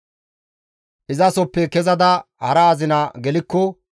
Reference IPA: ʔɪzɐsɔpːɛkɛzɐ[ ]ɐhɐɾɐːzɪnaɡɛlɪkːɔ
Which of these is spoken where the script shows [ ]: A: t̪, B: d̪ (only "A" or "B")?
B